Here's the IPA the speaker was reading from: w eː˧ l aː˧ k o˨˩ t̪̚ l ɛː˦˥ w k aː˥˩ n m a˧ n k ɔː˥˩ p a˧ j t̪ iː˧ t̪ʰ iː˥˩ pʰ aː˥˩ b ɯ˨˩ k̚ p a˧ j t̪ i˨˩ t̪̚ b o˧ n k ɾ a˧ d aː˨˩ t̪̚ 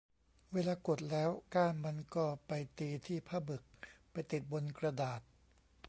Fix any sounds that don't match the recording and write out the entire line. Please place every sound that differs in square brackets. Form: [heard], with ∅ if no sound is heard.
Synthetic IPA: w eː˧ l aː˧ k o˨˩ t̪̚ l ɛː˦˥ w k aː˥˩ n m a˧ n k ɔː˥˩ p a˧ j t̪ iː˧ t̪ʰ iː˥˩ pʰ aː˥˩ b ɯ˨˩ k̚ p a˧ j t̪ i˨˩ t̪̚ b o˧ n k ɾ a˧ d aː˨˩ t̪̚